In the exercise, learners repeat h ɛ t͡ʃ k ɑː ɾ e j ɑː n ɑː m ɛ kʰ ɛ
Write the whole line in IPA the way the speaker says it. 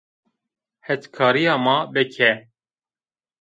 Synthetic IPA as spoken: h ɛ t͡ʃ kʰ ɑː ɾ i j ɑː m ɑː b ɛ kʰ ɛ